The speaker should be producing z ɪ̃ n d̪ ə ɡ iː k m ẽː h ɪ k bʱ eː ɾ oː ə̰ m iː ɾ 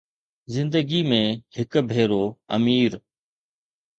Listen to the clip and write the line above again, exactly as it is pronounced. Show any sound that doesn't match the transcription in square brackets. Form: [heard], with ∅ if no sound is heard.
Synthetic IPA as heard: z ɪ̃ n d̪ ə ɡ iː [∅] m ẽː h ɪ k bʱ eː ɾ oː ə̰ m iː ɾ